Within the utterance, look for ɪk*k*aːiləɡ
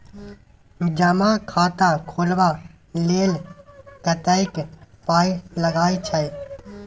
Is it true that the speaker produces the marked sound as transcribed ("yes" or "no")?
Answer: no